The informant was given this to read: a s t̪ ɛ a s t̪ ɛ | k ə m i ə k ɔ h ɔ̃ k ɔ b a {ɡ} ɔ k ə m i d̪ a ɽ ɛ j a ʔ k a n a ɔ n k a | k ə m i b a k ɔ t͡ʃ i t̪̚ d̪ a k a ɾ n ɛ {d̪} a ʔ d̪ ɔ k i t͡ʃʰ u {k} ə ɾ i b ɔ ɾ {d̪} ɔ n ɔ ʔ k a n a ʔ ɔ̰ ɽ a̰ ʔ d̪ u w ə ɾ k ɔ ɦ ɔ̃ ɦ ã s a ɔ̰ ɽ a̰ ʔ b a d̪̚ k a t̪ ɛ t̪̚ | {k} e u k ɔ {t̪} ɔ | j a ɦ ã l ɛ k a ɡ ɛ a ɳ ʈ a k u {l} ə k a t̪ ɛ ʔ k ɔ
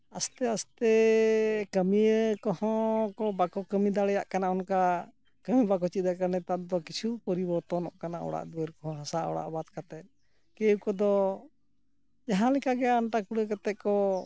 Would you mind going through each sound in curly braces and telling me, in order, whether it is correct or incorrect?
incorrect: k, incorrect: t̪, incorrect: p, incorrect: t̪, correct, incorrect: d̪, incorrect: ɽ

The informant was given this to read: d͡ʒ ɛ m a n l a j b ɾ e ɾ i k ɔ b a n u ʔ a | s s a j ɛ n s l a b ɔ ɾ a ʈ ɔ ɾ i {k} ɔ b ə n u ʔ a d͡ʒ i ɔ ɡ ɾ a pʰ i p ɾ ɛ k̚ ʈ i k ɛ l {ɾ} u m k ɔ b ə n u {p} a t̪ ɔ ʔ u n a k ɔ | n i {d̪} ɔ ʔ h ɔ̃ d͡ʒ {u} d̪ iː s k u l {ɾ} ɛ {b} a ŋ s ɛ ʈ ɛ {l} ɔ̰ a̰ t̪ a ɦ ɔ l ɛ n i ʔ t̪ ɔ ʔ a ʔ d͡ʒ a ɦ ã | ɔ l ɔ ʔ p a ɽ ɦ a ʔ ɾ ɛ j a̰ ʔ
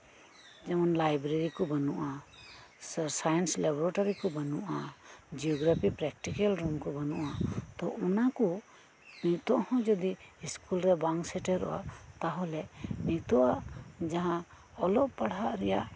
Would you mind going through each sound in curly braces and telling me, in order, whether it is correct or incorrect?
correct, correct, incorrect: ʔ, incorrect: t̪, incorrect: ɔ, correct, correct, incorrect: ɾ

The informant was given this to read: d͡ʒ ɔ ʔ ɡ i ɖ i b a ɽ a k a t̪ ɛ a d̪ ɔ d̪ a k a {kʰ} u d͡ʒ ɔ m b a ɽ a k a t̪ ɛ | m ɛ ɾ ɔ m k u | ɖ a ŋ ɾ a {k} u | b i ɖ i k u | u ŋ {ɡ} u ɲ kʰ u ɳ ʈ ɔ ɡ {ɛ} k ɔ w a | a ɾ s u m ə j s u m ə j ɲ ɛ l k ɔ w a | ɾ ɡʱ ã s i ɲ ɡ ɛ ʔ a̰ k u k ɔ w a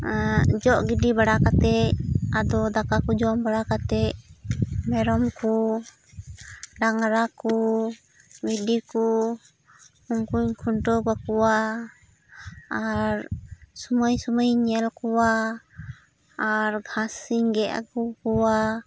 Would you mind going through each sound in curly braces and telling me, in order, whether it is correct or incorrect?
incorrect: k, correct, incorrect: k, incorrect: a

